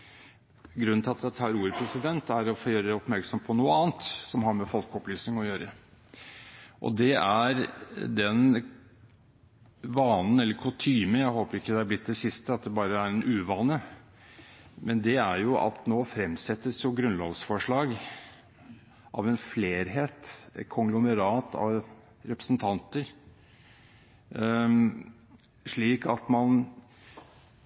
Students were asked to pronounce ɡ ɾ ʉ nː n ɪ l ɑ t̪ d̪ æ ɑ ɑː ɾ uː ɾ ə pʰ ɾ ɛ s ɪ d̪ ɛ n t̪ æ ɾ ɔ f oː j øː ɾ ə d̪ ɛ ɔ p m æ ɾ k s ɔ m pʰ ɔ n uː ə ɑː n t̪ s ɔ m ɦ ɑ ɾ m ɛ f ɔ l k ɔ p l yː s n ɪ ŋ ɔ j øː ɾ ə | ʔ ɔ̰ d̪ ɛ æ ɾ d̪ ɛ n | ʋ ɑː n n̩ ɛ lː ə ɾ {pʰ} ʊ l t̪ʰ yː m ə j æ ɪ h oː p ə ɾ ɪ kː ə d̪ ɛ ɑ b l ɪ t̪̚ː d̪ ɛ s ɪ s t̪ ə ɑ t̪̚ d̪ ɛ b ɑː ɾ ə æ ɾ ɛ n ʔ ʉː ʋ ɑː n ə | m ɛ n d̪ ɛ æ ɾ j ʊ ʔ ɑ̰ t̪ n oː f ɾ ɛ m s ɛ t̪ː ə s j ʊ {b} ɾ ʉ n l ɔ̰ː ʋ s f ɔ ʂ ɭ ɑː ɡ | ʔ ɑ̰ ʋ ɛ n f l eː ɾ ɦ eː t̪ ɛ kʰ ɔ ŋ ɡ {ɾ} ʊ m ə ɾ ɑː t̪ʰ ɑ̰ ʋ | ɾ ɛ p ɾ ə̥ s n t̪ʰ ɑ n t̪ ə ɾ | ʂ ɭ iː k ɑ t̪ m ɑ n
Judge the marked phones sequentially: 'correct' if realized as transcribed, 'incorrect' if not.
incorrect: kʰ, incorrect: ɡ, incorrect: l

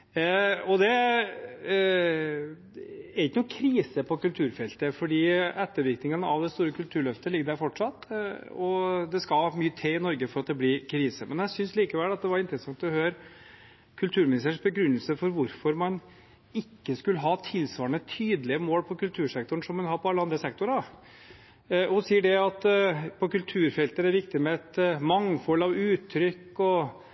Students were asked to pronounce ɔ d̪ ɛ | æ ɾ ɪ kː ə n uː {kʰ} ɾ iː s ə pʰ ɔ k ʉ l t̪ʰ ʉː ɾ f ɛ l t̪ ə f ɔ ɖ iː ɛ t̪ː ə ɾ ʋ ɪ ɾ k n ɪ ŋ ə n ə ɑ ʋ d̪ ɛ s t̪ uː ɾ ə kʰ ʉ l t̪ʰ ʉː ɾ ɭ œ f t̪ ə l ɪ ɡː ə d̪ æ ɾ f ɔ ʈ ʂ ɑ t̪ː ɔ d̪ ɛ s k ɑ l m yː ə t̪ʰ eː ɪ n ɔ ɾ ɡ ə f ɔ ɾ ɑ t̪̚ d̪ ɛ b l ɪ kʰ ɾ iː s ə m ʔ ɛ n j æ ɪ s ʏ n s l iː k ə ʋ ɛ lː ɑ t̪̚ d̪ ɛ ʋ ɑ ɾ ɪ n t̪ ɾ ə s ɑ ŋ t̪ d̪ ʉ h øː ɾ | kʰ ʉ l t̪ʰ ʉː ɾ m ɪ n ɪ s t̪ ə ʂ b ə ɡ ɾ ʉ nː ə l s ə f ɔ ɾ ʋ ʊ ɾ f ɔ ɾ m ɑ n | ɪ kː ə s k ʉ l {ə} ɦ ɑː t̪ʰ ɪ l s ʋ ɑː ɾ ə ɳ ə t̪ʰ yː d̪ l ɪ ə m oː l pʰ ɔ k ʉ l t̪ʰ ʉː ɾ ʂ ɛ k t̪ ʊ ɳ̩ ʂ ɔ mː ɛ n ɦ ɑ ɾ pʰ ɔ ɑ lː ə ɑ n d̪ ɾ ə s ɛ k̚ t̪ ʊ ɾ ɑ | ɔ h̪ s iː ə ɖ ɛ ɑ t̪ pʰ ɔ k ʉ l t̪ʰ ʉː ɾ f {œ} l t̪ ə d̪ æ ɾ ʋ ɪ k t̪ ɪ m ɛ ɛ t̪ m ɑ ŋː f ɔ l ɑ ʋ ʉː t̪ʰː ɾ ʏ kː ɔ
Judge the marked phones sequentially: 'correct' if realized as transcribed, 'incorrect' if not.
correct, correct, incorrect: ɛ

